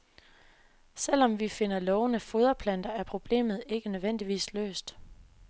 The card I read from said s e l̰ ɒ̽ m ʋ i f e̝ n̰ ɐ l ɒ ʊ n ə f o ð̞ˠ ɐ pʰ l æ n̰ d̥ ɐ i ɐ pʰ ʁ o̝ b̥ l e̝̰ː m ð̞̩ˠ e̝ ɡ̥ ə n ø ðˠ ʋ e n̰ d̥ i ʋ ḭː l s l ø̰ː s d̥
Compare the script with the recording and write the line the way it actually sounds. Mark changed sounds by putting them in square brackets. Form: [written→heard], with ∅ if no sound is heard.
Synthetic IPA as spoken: s e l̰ ɒ̽ m ʋ i f e̝ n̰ ɐ l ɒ ʊ n ə f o ð̞ˠ ɐ pʰ l æ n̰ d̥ ɐ [i→æ] ɐ pʰ ʁ o̝ b̥ l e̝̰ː m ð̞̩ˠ e̝ ɡ̥ ə n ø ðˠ ʋ e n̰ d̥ i ʋ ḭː [l→∅] s l ø̰ː s d̥